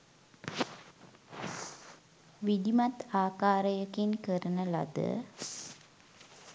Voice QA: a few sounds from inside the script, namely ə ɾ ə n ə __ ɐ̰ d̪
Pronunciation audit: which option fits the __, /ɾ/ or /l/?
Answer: l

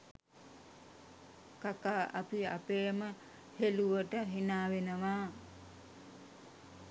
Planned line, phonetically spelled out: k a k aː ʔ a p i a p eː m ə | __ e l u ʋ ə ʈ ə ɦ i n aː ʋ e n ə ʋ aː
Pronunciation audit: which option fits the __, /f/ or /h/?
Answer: h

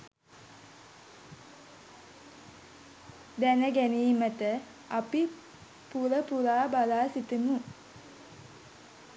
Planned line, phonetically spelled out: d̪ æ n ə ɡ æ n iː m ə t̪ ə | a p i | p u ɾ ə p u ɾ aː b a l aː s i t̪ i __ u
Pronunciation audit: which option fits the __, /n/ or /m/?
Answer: m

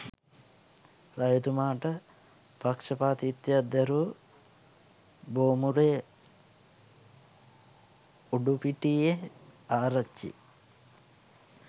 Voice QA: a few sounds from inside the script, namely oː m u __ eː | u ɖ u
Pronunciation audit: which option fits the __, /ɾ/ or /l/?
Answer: ɾ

